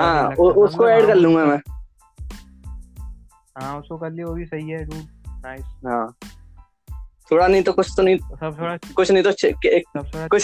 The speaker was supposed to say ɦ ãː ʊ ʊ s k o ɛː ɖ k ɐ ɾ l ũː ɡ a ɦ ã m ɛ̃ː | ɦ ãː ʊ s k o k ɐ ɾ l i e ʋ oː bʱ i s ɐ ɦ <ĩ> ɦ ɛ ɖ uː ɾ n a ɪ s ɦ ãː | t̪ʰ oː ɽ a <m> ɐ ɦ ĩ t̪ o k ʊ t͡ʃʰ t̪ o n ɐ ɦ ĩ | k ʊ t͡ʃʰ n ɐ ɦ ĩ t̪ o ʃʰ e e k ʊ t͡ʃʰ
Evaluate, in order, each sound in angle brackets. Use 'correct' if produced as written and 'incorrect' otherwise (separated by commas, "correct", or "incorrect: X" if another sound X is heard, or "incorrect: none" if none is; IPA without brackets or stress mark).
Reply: incorrect: i, incorrect: n